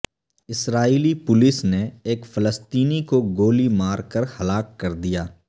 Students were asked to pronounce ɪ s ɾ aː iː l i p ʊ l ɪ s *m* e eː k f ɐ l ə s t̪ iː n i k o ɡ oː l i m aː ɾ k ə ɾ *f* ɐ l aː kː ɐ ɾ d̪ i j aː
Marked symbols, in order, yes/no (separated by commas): no, no